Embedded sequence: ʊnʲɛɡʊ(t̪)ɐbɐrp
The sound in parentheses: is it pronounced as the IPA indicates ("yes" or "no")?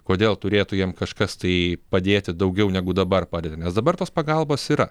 no